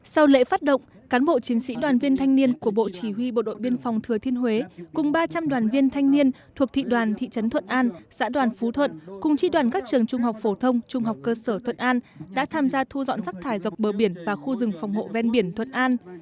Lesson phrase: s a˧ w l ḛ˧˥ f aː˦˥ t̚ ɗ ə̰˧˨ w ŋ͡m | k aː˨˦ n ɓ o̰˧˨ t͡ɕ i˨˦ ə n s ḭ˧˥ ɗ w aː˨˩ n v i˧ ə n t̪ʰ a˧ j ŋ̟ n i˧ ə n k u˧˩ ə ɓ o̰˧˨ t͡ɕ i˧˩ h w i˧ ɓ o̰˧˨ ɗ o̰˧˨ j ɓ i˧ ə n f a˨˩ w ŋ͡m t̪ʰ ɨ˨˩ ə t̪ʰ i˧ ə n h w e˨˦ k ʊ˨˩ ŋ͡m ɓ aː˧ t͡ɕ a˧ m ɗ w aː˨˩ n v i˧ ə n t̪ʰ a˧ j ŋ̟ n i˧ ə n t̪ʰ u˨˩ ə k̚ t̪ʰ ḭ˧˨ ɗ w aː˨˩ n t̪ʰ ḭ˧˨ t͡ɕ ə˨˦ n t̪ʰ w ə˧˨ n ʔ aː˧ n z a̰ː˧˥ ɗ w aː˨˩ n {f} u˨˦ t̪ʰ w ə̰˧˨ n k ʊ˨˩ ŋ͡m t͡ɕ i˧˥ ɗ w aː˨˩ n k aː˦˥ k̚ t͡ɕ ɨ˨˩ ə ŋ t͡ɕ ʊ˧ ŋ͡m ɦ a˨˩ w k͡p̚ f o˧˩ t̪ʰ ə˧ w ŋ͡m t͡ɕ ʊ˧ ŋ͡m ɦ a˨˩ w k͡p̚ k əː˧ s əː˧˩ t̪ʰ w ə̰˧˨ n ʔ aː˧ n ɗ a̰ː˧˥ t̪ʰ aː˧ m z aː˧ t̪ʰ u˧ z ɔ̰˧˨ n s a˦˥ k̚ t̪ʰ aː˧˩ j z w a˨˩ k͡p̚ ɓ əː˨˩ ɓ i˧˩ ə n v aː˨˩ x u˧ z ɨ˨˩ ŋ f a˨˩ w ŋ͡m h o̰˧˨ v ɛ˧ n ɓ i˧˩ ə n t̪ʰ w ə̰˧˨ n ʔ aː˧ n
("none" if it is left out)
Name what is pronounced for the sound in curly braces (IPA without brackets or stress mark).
f